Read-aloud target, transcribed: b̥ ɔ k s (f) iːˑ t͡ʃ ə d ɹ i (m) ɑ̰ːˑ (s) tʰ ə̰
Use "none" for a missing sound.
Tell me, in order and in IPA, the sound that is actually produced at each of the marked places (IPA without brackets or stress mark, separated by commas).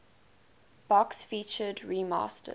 f, m, s